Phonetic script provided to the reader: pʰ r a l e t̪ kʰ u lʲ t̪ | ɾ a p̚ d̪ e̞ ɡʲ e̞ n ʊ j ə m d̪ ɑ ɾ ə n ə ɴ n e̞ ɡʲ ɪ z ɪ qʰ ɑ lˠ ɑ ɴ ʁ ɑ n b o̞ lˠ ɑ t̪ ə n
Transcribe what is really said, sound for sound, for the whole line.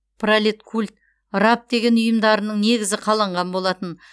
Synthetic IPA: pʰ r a l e t̪ kʰ u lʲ t̪ | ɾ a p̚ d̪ e̞ ɡʲ e̞ n ʊ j ə m d̪ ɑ ɾ ə n ə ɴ n e̞ ɡʲ ɪ z ɪ qʰ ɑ lˠ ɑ ɴ ʁ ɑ n b o̞ lˠ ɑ t̪ ə n

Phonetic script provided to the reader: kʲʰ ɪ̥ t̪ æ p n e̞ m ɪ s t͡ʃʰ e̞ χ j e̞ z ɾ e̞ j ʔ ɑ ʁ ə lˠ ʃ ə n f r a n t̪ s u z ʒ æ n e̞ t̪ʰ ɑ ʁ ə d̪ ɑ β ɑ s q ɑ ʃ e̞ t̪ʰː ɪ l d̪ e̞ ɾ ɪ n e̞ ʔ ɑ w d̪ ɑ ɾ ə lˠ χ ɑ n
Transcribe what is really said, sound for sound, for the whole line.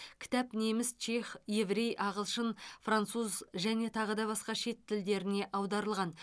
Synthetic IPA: kʲʰ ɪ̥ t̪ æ p n e̞ m ɪ s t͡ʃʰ e̞ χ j e̞ v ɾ e̞ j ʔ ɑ ʁ ə lˠ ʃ ə n f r a n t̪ s u z ʒ æ n e̞ t̪ʰ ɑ ʁ ə d̪ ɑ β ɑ s q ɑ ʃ e̞ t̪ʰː ɪ l d̪ e̞ ɾ ɪ n e̞ ʔ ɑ w d̪ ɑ ɾ ə lˠ ʁ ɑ n

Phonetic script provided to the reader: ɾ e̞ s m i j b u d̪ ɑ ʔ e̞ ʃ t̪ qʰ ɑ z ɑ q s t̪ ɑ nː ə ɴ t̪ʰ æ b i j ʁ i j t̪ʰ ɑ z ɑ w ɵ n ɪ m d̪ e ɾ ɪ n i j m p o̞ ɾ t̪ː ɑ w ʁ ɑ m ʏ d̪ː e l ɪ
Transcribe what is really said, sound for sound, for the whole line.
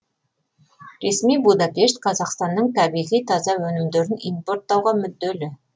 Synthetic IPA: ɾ e̞ s m i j b u d̪ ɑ p e̞ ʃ t̪ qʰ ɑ z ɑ q s t̪ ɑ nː ə ɴ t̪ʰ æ b i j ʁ i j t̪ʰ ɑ z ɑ w ɵ n ɪ m d̪ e ɾ ɪ n i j m p o̞ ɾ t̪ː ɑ w ʁ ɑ m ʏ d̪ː e l ɪ

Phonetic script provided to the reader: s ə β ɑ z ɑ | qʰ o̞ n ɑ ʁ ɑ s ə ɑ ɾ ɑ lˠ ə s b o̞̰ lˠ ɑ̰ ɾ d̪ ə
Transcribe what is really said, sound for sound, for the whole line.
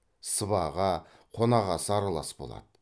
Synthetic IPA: s ə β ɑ ʁ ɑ | qʰ o̞ n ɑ ʁ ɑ s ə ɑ ɾ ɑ lˠ ɑ s b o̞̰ lˠ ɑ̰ d̪ ə

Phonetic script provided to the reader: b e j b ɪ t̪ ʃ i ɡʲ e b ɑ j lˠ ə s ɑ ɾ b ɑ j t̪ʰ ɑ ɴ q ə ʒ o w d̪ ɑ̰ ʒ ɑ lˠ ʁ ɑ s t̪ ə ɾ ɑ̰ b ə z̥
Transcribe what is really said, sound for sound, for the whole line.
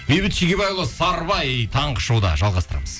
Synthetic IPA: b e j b ɪ t̪ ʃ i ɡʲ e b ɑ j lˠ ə s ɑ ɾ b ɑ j t̪ʰ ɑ ɴ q ə ʃ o w d̪ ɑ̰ ʒ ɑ lˠ ʁ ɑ s t̪ ə ɾ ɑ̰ m ə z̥

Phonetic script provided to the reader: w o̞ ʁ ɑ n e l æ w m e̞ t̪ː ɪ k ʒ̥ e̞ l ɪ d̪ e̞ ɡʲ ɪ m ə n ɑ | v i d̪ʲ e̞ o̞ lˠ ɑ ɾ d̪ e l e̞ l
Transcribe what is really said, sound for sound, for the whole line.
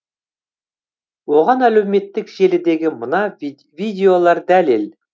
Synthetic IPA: w o̞ ʁ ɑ n æ l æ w m e̞ t̪ː ɪ k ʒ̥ e̞ l ɪ d̪ e̞ ɡʲ ɪ m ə n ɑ | v i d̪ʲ e̞ o̞ lˠ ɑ ɾ d̪ æ l e̞ l

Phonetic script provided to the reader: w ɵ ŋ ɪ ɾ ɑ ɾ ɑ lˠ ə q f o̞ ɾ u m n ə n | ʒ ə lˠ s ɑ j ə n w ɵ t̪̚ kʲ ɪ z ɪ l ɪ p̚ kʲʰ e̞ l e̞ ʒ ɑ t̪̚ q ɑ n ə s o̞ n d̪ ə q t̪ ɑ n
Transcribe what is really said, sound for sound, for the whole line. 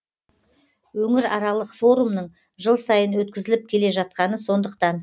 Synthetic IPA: w ɵ ŋ ɪ ɾ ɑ ɾ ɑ lˠ ə q f o̞ ɾ u m n ə ɴ | ʒ ə lˠ s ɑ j ə n w ɵ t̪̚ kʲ ɪ z ɪ l ɪ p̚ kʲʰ e̞ l e̞ ʒ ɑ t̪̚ q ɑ n ə s o̞ n d̪ ə q t̪ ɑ n

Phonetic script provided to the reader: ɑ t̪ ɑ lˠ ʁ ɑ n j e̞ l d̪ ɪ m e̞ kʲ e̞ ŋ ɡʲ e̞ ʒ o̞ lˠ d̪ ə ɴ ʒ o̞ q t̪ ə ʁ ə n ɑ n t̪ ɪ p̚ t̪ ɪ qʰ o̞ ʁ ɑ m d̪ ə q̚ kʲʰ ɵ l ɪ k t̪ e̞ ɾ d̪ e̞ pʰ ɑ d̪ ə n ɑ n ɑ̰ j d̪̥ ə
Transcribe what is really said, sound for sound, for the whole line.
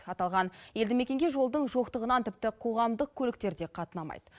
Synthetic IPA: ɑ t̪ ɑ lˠ ʁ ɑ n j e̞ l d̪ ɪ m e̞ kʲ e̞ ŋ ɡʲ e̞ ʒ o̞ lˠ d̪ ə ɴ ʒ o̞ q t̪ ə ʁ ə n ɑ n t̪ ɪ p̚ t̪ ɪ qʰ o̞ ʁ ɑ m d̪ ə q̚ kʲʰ ɵ l ɪ k t̪ e̞ ɾ d̪ e̞ qʰ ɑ t̪ ə n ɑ m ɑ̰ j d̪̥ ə

